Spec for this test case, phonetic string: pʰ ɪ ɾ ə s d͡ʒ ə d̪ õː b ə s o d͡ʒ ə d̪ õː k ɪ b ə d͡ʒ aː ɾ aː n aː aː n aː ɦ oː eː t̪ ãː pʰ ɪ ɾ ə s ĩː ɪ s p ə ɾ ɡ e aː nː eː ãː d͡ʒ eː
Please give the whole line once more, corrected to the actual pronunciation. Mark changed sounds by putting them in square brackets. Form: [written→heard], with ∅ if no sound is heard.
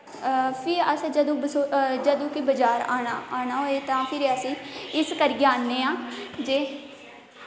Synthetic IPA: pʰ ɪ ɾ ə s d͡ʒ ə d̪ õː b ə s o d͡ʒ ə d̪ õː k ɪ b ə d͡ʒ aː ɾ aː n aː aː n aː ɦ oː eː t̪ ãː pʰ ɪ ɾ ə s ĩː ɪ s [p→k] ə ɾ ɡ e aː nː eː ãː d͡ʒ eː